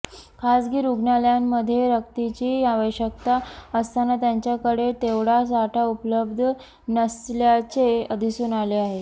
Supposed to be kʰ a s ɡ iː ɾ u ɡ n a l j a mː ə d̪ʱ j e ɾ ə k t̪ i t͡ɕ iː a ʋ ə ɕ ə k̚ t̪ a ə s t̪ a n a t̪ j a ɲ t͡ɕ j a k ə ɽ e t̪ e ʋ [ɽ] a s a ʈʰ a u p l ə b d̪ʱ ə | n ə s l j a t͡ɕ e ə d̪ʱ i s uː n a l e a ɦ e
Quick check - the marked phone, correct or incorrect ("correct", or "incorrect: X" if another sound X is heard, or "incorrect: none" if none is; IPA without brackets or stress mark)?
correct